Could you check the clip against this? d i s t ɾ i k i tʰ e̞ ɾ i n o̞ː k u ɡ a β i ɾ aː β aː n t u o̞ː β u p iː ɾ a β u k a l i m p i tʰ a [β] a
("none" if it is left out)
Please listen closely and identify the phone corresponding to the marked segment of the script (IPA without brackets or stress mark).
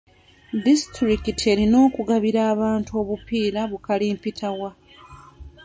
w